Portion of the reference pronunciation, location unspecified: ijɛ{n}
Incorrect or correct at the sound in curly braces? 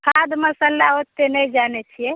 incorrect: none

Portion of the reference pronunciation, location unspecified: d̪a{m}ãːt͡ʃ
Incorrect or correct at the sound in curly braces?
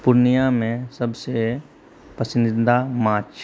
correct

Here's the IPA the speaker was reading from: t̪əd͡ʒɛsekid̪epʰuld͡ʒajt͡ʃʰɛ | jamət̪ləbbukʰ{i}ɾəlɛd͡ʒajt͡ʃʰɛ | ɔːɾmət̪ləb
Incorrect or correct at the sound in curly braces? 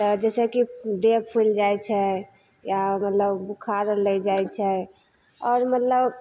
incorrect: a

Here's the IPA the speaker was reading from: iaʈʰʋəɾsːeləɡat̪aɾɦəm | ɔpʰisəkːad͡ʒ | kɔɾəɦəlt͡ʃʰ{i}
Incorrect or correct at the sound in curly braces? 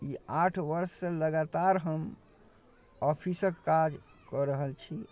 correct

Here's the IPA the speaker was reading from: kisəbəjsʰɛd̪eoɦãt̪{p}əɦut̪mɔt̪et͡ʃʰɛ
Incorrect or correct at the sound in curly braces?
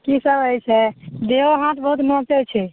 incorrect: b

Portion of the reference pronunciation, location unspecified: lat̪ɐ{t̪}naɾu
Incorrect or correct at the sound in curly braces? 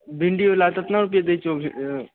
correct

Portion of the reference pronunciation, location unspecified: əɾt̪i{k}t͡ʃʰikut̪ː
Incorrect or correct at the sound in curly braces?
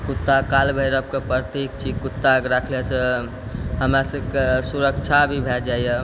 correct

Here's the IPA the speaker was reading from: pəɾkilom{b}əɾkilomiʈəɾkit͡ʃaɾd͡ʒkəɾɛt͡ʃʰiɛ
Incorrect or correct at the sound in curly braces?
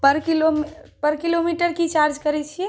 incorrect: p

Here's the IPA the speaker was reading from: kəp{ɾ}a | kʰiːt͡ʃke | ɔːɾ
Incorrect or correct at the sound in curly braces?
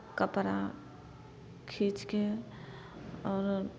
correct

